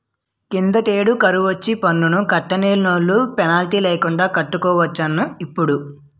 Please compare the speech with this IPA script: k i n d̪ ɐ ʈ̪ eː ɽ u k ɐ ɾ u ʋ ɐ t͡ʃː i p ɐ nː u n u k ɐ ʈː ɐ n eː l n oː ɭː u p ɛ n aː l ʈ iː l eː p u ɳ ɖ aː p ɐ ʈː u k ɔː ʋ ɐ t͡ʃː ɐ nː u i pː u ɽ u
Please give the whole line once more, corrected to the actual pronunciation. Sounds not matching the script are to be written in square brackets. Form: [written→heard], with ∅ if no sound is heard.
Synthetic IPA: k i n d̪ ɐ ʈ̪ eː ɽ u k ɐ ɾ u ʋ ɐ t͡ʃː i p ɐ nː u n u k ɐ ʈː ɐ n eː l n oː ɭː u p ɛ n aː l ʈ iː l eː [p→k] u ɳ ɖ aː [p→k] ɐ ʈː u k ɔː ʋ ɐ t͡ʃː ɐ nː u i pː u ɽ u